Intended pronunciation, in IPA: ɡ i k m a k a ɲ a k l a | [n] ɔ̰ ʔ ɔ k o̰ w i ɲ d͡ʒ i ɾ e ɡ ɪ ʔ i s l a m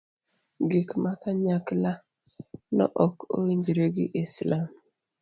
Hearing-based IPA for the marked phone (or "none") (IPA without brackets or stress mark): n